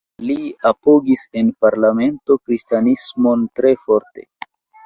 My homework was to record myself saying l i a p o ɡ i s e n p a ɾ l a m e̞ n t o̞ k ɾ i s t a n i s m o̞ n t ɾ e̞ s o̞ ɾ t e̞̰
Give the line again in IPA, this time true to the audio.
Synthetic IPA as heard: l i a p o ɡ i s e n p a ɾ l a m e̞ n t o̞ k ɾ i s t a n i s m o̞ n t ɾ e̞ f o̞ ɾ t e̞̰